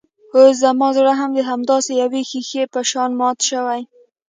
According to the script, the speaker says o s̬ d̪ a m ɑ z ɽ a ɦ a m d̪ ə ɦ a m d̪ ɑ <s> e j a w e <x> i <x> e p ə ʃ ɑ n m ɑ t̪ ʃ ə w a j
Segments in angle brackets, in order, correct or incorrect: correct, correct, correct

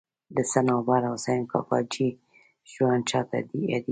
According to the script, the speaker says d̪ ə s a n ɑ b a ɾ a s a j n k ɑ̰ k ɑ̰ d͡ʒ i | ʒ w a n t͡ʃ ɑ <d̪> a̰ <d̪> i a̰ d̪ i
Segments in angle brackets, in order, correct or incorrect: incorrect: t̪, correct

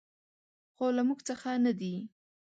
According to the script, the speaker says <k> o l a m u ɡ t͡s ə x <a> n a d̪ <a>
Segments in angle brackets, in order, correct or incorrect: incorrect: x, correct, incorrect: i

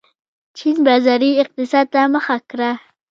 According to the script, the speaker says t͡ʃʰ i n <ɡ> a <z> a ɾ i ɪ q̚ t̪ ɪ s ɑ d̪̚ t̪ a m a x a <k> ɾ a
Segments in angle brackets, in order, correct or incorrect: incorrect: b, correct, correct

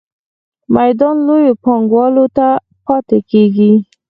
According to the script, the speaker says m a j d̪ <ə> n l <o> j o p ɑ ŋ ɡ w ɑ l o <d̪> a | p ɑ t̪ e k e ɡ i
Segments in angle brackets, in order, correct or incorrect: incorrect: ɑ, correct, incorrect: t̪

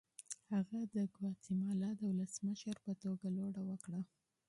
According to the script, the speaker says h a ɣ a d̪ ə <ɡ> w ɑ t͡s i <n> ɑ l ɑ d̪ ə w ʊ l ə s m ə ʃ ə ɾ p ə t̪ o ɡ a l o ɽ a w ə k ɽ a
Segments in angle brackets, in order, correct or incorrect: correct, incorrect: m

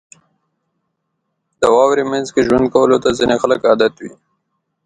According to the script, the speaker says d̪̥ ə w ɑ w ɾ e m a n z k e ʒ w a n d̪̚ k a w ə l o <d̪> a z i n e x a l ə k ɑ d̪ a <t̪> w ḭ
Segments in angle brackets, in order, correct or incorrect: incorrect: t̪, correct

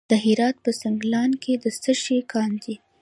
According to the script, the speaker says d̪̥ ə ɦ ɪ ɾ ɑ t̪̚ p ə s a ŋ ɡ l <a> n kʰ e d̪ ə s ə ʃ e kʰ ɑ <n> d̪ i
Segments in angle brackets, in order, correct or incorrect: incorrect: ɑ, correct

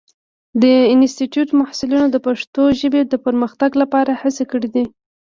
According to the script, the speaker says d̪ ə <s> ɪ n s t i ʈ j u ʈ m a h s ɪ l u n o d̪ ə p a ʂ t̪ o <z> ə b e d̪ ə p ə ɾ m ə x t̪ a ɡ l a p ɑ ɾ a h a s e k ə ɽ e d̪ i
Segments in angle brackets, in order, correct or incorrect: incorrect: none, incorrect: ʒ

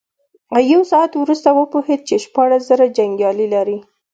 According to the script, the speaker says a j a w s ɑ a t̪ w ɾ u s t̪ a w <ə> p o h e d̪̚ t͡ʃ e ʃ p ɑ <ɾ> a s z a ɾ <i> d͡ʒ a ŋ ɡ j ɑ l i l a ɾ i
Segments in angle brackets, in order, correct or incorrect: correct, incorrect: ɽ, incorrect: a

